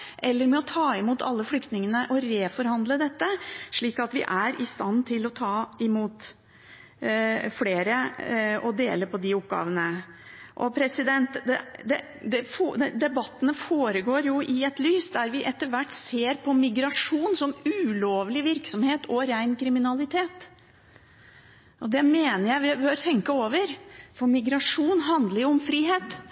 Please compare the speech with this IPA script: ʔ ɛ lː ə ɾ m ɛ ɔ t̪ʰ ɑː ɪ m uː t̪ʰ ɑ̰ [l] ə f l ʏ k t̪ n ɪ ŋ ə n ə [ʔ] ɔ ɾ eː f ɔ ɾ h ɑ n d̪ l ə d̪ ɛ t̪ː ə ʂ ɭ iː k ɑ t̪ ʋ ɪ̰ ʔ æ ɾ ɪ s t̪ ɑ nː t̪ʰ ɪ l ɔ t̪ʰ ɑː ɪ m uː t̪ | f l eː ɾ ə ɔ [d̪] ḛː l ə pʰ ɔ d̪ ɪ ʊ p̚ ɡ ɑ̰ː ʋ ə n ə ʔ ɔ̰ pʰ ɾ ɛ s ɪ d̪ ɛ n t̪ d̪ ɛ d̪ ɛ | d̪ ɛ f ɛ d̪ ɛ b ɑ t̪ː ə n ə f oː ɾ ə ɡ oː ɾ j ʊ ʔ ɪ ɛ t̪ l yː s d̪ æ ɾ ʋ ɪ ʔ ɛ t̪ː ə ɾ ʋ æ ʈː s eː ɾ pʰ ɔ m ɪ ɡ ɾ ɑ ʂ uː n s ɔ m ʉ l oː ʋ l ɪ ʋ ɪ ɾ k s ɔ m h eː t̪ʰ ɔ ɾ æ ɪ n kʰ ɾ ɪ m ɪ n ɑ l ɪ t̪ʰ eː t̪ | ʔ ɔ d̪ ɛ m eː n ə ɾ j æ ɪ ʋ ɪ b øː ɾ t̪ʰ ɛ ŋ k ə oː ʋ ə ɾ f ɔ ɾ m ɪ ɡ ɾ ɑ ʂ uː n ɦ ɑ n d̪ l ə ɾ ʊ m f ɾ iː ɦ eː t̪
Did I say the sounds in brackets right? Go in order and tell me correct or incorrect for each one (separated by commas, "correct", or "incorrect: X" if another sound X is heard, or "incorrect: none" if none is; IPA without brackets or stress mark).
incorrect: lː, correct, correct